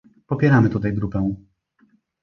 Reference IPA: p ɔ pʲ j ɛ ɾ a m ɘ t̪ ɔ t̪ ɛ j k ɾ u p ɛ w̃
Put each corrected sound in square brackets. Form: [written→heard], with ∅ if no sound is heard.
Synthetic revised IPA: p ɔ pʲ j ɛ ɾ a m ɘ t̪ [ɔ→u] t̪ [ɛ→a] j [k→ɡ] ɾ u p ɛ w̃